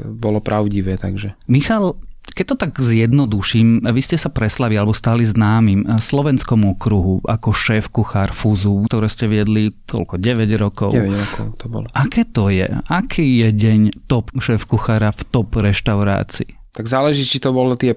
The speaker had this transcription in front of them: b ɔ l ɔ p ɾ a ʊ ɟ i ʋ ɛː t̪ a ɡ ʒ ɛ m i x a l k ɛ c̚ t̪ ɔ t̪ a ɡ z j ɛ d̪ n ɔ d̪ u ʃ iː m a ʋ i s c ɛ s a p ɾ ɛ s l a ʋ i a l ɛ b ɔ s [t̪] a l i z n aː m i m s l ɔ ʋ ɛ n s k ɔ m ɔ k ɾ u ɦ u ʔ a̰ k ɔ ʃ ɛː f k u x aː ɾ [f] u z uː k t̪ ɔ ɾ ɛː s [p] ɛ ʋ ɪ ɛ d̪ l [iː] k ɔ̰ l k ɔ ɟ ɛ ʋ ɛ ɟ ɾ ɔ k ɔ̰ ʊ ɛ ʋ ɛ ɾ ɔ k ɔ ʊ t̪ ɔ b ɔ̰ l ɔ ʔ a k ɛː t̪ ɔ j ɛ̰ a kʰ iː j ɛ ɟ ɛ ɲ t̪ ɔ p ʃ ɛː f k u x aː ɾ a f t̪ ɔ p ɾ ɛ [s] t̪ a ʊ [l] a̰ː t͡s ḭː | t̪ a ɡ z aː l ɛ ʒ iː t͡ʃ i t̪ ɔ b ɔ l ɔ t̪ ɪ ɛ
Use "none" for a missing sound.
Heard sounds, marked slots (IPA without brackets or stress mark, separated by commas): t̪, f, c, i, ʃ, ɾ